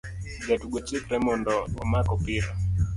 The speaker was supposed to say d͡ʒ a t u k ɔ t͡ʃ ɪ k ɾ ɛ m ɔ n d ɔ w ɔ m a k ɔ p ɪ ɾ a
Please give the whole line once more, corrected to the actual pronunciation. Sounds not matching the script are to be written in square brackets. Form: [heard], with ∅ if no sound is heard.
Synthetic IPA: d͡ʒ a t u [ɡ] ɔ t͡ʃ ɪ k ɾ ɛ m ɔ n d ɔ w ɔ m a k ɔ p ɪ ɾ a